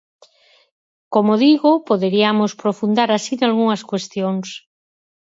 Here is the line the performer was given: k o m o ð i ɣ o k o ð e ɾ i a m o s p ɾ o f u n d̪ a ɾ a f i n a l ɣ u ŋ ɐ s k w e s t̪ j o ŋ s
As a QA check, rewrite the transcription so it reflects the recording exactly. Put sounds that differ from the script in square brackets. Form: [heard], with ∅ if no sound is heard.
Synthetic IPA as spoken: k o m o ð i ɣ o [p] o ð e ɾ i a m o s p ɾ o f u n d̪ a ɾ a [s] i n a l ɣ u ŋ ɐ s k w e s t̪ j o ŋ s